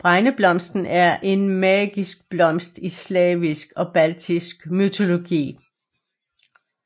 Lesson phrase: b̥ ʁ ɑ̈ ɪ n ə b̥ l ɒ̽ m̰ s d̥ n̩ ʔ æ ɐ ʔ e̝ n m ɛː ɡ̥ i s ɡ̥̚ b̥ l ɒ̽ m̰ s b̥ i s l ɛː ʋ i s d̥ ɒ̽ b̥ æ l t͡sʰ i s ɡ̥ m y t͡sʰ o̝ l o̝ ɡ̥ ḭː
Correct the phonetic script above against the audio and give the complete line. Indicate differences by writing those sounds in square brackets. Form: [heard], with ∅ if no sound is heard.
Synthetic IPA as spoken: b̥ ʁ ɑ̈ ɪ n ə b̥ l ɒ̽ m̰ s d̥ n̩ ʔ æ ɐ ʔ e̝ n m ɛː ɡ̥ i s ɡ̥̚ b̥ l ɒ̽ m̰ s [d̥] i s l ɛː ʋ i s [ɡ̥] ɒ̽ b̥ æ l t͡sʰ i s ɡ̥ m y t͡sʰ o̝ l o̝ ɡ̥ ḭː